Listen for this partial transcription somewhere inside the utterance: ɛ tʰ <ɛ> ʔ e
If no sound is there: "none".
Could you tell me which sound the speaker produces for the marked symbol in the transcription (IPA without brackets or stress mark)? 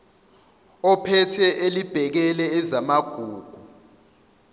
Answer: ɛ